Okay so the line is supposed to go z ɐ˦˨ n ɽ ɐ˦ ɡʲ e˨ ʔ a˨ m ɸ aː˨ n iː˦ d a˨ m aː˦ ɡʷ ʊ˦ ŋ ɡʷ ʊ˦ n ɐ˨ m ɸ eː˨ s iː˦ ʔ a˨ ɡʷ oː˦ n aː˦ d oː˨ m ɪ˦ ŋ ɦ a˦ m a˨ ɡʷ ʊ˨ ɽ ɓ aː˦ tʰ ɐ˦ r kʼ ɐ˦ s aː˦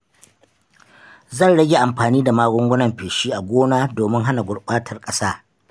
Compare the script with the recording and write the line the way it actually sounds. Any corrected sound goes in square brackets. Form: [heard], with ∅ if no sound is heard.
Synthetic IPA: z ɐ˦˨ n ɽ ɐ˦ ɡʲ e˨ ʔ a˨ m ɸ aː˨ n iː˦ d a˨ m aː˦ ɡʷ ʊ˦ ŋ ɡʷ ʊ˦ n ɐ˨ m ɸ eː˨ [ʃ] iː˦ ʔ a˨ ɡʷ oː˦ n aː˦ d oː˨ m ɪ˦ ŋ ɦ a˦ [n] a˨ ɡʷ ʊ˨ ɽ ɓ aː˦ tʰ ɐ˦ r kʼ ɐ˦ s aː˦